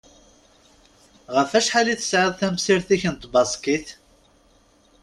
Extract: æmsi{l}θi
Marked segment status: incorrect: ɾ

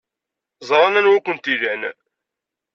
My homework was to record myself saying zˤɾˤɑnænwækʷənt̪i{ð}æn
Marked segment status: correct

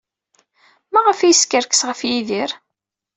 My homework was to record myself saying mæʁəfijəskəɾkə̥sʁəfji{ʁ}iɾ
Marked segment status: incorrect: ð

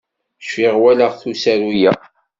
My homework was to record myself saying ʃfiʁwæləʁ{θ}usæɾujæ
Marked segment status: correct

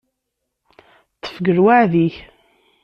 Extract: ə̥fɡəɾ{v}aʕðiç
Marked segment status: incorrect: w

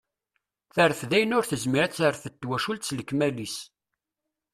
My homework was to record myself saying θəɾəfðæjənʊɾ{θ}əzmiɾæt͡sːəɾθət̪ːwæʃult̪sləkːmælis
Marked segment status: correct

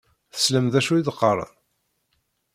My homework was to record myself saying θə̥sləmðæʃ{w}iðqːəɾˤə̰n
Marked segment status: incorrect: u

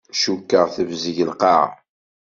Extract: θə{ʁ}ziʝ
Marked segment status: incorrect: v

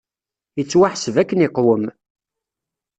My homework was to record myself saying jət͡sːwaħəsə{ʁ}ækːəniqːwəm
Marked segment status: incorrect: v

